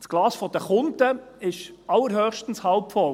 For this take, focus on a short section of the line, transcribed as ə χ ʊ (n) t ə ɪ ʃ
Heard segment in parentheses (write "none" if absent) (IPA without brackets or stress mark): n